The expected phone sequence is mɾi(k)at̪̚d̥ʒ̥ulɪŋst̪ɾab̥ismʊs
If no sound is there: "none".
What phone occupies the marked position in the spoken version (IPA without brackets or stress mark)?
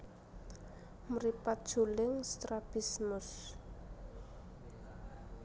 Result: p